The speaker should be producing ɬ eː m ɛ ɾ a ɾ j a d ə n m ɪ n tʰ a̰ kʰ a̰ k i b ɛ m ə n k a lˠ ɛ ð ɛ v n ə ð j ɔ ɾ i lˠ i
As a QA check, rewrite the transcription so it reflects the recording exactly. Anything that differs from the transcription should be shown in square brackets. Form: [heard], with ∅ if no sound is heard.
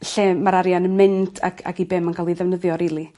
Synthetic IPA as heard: ɬ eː m [a] ɾ a ɾ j a [n] ə n m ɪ n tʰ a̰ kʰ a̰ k i b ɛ m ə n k a lˠ [i] ð ɛ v n ə ð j ɔ ɾ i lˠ i